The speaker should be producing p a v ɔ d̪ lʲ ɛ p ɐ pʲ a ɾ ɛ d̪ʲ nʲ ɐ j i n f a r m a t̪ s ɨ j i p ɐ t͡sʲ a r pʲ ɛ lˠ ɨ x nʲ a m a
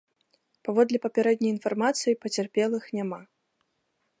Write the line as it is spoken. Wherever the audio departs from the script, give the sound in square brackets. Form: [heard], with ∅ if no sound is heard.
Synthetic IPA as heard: p a v ɔ d̪ lʲ ɛ p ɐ pʲ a ɾ ɛ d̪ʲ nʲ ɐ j i n f a r m a t̪ s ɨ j i p ɐ t͡sʲ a r pʲ ɛ lˠ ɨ x nʲ a m a